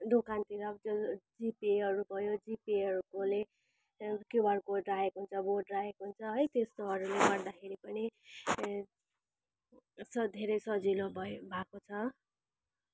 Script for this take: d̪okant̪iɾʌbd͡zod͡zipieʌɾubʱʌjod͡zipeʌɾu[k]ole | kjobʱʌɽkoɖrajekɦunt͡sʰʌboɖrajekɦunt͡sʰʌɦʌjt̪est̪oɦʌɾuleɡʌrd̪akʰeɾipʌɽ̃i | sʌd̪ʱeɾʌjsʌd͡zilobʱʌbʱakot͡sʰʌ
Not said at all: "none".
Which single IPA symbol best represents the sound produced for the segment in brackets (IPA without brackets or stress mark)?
k